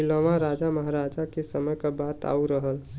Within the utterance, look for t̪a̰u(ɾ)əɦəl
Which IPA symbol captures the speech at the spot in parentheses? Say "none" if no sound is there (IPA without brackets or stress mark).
ɾ